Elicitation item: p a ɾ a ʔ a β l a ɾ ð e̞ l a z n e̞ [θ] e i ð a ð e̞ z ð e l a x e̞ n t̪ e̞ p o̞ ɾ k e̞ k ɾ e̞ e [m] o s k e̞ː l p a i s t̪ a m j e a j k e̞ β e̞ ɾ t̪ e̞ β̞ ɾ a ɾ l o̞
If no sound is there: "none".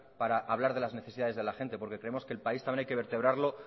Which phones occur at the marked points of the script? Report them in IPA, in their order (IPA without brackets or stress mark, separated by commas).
θ, m